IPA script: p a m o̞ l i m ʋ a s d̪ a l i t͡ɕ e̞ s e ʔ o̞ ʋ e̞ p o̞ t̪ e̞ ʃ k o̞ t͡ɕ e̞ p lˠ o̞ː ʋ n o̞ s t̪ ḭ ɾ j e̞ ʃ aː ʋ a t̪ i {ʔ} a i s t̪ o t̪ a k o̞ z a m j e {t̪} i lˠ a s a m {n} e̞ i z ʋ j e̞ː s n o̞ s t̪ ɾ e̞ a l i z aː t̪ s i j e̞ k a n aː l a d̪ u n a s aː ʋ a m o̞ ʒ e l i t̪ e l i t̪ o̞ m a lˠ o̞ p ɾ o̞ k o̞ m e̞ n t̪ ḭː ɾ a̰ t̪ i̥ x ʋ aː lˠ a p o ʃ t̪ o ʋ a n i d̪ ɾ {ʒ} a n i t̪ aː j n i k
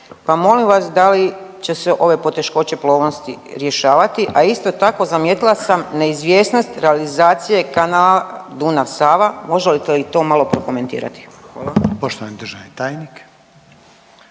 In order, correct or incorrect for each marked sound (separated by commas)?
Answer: correct, correct, correct, correct